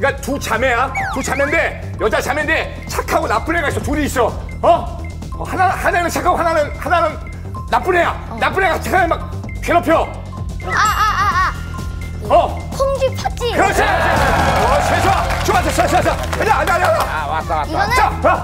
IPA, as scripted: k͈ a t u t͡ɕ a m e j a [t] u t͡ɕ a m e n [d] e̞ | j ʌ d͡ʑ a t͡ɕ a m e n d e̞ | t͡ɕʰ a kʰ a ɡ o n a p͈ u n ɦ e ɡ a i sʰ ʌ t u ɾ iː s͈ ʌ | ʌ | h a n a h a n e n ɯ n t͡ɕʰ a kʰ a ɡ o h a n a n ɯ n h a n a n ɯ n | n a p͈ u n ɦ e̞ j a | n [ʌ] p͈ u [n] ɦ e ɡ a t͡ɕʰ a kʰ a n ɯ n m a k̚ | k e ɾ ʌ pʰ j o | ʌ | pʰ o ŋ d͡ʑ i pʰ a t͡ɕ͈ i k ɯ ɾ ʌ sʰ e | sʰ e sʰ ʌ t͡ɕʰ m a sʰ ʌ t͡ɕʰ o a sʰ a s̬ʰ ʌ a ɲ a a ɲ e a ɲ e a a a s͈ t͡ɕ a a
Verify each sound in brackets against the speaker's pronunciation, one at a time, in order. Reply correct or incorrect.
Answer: correct, correct, incorrect: a, correct

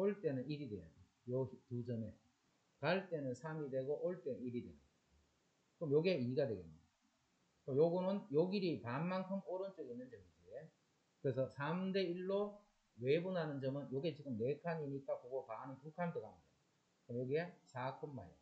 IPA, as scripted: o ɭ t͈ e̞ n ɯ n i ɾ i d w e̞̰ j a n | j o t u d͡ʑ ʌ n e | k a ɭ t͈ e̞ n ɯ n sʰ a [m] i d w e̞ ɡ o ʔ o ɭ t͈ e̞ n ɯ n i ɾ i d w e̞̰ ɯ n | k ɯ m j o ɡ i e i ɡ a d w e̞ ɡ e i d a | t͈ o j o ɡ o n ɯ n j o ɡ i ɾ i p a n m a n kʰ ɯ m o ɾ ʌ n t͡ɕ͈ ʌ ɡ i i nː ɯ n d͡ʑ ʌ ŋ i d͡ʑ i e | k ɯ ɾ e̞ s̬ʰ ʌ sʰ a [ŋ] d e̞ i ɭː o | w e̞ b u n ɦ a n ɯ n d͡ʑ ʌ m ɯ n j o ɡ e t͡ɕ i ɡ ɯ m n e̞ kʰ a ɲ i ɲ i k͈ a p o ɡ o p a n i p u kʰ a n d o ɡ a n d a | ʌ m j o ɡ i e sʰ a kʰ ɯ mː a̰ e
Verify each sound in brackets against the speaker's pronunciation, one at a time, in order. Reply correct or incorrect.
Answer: correct, incorrect: m

